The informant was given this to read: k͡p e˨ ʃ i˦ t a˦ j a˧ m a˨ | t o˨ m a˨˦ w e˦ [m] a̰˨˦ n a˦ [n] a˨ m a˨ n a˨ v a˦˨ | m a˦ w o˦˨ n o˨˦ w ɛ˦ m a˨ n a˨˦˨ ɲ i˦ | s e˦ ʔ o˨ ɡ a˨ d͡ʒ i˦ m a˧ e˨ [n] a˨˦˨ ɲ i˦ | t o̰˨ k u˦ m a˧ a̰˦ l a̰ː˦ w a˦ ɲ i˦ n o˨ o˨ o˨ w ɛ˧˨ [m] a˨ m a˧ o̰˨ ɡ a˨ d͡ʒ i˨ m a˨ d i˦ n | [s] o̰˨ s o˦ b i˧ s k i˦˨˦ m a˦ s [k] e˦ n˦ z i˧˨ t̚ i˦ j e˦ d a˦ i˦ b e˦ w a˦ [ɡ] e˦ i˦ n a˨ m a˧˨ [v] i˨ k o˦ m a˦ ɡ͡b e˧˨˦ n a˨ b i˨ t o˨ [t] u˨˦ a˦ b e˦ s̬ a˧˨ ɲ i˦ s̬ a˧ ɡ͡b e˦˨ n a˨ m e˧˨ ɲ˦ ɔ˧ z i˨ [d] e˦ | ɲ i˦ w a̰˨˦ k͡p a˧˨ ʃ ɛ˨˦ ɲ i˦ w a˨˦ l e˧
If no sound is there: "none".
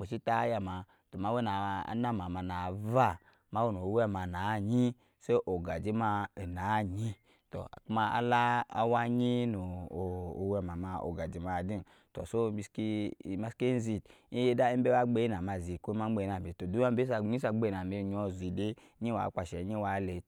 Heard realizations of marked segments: n, m, n, m, t, k, ɡ͡b, z, d, d

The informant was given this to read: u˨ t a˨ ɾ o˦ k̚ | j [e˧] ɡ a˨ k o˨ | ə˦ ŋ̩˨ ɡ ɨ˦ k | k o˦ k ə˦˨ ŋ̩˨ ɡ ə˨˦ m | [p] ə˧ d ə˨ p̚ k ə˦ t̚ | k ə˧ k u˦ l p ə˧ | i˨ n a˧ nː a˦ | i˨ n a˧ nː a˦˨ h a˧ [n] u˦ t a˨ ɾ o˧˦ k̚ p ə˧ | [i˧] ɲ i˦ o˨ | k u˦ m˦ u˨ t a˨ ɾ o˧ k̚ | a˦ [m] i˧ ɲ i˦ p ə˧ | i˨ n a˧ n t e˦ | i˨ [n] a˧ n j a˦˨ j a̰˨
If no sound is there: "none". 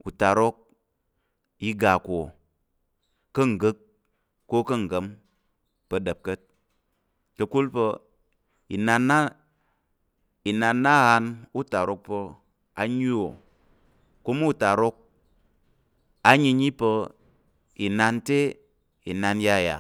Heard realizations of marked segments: i˧, p, n, a˧, ɲ, n

